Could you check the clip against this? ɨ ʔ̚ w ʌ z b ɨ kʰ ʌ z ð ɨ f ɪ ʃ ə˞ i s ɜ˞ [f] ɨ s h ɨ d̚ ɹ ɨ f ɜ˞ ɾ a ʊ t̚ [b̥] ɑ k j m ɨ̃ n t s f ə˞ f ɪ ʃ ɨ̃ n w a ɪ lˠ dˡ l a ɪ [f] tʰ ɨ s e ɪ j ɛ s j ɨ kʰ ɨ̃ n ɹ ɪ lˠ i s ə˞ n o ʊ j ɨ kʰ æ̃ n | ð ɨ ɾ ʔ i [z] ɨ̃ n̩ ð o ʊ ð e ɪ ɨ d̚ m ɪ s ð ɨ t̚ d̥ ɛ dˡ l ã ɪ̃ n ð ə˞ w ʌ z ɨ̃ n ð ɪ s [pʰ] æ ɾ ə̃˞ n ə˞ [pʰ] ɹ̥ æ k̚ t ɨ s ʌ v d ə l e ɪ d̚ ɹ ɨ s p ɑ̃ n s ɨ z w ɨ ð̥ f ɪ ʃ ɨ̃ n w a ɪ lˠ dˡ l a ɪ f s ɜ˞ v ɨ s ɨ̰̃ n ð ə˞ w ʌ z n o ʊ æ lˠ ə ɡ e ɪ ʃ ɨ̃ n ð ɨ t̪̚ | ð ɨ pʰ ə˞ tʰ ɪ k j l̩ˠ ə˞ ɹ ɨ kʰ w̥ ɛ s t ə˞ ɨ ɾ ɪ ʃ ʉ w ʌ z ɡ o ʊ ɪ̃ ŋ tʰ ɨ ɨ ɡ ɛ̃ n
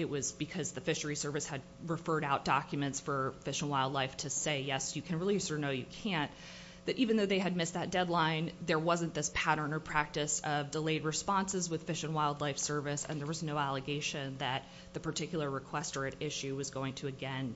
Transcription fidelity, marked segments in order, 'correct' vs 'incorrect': incorrect: v, incorrect: d̥, correct, incorrect: v, correct, correct

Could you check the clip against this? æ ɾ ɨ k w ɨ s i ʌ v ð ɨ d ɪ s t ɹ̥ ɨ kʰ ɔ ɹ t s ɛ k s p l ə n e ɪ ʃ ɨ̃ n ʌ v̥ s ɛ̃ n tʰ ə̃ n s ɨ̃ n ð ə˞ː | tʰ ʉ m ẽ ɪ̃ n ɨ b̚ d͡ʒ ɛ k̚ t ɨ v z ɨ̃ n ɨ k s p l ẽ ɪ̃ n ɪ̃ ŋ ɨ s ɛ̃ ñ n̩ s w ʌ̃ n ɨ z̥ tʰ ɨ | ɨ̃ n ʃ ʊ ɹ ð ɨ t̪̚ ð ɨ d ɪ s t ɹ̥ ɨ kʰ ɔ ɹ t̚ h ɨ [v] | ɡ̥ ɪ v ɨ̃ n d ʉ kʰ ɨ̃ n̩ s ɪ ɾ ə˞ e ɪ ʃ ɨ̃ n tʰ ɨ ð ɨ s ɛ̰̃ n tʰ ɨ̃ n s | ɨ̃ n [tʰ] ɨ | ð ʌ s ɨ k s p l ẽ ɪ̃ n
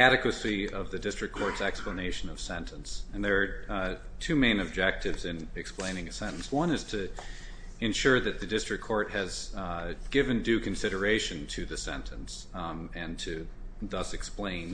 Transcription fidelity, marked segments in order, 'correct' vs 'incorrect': incorrect: z, correct

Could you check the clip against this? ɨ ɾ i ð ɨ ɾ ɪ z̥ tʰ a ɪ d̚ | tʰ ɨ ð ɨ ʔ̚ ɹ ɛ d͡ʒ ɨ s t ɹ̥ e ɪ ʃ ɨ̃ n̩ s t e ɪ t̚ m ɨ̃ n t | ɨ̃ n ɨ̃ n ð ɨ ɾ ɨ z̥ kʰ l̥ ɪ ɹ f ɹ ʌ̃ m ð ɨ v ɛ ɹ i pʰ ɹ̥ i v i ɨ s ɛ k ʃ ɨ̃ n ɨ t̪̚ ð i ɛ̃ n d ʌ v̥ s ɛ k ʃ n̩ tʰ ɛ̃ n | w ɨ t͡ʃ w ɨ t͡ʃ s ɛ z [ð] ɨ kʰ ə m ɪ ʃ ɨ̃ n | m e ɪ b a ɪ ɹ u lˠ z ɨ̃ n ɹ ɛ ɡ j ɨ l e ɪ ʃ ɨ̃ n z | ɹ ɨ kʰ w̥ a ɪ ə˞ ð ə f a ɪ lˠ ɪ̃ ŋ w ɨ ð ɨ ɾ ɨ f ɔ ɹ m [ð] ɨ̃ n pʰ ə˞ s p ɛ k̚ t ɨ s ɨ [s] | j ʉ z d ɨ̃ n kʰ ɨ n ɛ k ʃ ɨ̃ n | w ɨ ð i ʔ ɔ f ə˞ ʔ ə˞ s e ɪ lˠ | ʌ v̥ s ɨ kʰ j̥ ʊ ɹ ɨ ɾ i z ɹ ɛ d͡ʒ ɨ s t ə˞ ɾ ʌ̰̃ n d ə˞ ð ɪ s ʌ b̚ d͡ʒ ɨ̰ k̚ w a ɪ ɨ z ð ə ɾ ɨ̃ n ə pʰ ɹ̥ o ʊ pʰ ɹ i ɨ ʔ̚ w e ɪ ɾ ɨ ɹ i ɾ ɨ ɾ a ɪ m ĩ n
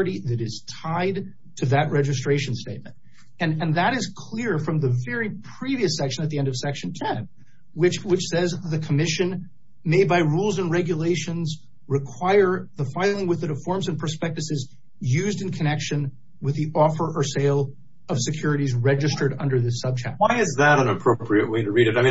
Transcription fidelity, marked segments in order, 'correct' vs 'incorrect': correct, incorrect: z, incorrect: z

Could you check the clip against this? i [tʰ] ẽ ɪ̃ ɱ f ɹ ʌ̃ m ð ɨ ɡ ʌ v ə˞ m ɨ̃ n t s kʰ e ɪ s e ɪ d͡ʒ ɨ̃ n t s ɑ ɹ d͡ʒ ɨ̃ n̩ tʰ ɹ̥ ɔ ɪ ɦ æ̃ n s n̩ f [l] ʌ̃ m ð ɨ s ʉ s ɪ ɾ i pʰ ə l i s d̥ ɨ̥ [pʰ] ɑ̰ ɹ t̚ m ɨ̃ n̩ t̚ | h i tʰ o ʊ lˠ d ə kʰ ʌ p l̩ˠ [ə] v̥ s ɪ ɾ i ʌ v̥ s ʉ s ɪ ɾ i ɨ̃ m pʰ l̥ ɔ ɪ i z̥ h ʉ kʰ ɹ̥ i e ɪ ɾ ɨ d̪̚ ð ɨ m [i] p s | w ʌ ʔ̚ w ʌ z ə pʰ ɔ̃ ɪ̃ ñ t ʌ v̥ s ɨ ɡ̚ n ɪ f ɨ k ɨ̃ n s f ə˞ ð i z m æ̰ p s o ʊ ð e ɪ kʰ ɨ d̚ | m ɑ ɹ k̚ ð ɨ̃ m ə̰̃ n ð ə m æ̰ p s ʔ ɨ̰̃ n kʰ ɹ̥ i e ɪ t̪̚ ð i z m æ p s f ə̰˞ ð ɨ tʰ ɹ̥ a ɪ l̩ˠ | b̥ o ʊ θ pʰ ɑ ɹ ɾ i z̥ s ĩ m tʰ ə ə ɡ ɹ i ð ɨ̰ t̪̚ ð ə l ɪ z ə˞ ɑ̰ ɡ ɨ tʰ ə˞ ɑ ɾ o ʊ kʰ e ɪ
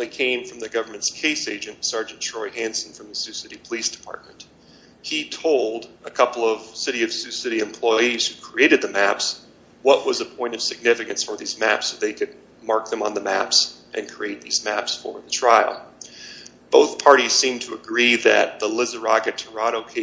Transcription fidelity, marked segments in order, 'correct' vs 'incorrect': incorrect: kʰ, incorrect: ɹ, correct, incorrect: ʌ, incorrect: æ

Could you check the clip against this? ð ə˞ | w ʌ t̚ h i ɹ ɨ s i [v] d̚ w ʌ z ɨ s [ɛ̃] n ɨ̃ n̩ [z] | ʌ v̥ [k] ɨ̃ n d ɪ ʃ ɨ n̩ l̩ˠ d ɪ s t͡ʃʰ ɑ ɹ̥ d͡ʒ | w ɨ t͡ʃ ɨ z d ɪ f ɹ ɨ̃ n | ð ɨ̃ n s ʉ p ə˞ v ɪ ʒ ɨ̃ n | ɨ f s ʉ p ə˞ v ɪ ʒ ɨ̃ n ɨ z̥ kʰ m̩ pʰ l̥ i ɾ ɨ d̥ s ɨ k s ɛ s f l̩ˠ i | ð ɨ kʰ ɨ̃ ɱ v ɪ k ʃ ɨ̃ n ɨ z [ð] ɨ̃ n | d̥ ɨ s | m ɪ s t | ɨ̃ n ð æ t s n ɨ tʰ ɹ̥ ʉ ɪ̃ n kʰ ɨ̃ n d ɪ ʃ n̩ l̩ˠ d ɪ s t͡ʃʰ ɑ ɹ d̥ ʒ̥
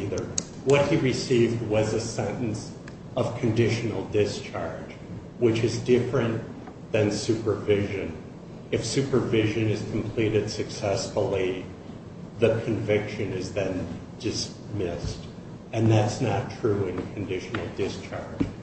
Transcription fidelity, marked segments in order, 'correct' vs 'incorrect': correct, correct, incorrect: s, incorrect: kʰ, correct

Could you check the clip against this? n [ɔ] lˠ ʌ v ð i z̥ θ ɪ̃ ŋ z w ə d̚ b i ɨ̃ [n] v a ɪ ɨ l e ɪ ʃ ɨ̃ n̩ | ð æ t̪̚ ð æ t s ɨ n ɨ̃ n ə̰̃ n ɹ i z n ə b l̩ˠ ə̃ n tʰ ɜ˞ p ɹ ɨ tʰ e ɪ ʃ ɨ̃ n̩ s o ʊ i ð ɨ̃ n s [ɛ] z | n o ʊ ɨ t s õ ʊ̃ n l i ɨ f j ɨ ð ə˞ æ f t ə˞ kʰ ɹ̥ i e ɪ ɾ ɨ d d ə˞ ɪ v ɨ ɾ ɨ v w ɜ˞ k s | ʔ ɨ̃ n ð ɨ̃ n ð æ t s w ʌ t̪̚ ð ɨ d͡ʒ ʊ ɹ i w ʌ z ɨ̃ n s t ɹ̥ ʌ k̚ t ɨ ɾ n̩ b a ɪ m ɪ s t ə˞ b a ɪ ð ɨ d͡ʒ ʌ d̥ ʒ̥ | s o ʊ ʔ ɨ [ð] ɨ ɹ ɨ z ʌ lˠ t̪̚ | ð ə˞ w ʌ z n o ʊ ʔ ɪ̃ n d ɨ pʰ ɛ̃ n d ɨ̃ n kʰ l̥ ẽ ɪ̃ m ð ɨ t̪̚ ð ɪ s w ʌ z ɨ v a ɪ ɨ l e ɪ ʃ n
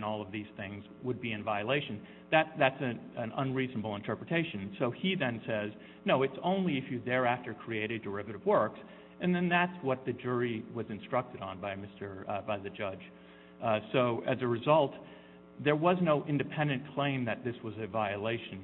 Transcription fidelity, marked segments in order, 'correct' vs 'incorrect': correct, correct, correct, incorrect: z

